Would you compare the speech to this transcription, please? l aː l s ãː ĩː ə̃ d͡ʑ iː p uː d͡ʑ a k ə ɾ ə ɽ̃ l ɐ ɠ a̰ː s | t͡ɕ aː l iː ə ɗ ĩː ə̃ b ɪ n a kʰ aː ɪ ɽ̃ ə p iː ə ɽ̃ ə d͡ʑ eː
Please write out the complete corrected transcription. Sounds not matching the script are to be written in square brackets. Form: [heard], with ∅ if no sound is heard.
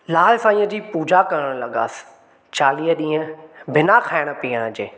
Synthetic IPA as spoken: l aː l s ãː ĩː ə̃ d͡ʑ iː p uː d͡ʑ a k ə ɾ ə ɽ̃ l ɐ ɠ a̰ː s | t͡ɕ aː l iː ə ɗ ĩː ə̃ b ɪ n a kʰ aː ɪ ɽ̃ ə p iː ə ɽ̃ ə d͡ʑ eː